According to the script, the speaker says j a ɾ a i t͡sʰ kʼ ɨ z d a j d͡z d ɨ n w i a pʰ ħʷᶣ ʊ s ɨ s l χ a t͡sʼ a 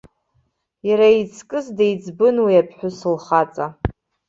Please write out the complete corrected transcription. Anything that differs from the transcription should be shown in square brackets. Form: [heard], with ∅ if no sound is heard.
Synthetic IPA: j a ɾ a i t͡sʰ kʼ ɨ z d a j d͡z [b] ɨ n w i a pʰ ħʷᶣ ʊ s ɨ [∅] l χ a t͡sʼ a

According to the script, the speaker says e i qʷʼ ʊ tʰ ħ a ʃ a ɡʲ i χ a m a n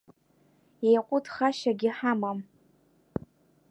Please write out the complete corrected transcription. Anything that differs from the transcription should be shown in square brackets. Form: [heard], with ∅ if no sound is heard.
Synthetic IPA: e [j] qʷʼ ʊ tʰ [χ] a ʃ a ɡʲ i [ħ] a m a [m]

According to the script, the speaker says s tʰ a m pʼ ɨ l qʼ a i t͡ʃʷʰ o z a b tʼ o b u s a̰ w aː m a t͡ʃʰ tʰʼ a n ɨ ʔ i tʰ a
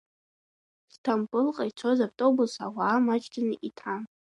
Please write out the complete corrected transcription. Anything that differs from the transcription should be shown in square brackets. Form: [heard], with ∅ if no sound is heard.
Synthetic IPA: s tʰ a m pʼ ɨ l qʼ a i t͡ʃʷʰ o z a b tʼ o b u s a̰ w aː m a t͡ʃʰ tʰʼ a n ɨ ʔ i tʰ a

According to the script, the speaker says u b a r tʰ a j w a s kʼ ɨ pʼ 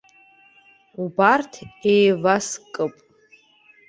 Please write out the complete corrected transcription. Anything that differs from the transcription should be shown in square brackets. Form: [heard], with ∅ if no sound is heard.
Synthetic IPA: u b a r tʰ [e] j [v] a s kʼ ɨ pʼ

